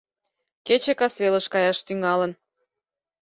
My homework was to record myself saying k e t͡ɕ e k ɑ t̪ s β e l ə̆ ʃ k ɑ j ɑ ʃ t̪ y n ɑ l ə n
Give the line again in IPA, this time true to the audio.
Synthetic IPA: k e t͡ɕ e k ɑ s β e l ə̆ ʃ k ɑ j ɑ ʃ t̪ y ŋ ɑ l ə n